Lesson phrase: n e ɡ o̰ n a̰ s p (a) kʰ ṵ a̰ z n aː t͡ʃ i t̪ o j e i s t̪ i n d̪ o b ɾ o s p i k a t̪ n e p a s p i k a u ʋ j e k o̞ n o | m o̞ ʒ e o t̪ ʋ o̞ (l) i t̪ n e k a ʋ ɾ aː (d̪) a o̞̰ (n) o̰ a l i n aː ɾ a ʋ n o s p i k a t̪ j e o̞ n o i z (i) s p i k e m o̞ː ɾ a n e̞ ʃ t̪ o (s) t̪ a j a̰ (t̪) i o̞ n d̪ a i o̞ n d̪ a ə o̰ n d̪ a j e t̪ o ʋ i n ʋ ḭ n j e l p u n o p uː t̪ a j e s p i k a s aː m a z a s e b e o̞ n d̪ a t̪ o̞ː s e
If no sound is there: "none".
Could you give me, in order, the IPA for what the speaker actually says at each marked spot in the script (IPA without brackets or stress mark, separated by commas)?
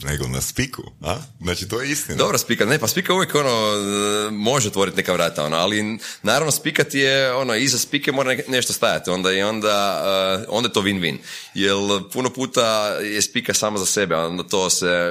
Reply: i, ɾ, t̪, n, a, s, t̪